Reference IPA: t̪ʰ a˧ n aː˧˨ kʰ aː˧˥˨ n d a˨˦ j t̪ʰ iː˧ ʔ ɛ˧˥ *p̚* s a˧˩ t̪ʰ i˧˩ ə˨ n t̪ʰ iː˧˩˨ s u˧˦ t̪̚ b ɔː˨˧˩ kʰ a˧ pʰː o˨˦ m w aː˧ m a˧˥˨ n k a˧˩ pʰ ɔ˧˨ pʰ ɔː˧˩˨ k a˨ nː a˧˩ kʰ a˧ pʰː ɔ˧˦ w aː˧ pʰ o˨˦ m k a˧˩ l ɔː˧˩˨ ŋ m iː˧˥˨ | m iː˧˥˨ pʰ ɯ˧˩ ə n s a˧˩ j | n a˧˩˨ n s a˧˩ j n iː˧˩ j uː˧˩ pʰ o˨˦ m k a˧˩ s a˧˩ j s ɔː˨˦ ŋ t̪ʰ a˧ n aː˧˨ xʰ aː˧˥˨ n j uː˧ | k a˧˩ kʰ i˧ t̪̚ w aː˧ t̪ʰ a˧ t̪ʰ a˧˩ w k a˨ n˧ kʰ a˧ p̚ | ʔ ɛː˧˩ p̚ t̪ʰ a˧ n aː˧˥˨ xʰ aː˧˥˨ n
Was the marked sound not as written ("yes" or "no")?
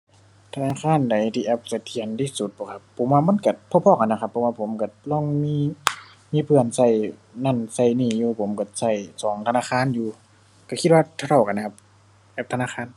no